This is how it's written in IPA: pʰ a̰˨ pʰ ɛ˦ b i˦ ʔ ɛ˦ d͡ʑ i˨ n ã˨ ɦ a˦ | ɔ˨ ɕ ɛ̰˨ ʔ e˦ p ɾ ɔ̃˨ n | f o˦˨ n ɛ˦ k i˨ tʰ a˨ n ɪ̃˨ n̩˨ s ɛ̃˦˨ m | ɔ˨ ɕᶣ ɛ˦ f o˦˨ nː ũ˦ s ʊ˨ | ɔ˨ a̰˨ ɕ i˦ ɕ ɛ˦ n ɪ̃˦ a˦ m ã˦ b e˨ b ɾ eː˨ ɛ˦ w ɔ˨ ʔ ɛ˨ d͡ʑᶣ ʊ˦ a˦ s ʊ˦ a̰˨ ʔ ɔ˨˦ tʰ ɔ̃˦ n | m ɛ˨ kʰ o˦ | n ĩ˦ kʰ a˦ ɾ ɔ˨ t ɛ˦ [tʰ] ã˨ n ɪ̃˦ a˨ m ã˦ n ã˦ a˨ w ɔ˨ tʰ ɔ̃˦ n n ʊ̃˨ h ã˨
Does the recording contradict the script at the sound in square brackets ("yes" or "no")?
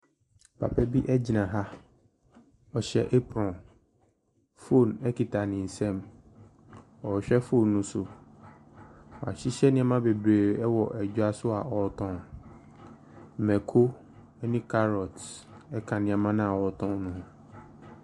yes